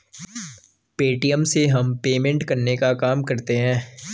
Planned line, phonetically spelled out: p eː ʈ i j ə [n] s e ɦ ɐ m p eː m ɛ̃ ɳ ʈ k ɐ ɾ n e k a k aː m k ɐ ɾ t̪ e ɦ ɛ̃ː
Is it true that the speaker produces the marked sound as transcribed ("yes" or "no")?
no